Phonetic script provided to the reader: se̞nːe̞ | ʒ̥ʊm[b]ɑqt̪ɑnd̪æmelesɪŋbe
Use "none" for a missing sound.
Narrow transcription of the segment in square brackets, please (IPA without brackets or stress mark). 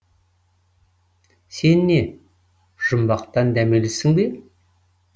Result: b